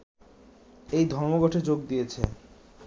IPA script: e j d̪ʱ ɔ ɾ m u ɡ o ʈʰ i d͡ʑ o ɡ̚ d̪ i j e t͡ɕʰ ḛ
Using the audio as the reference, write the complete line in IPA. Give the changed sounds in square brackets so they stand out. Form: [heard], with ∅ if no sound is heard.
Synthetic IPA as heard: e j d̪ʱ ɔ ɾ m [o] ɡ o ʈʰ [e] d͡ʑ o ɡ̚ d̪ i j e t͡ɕʰ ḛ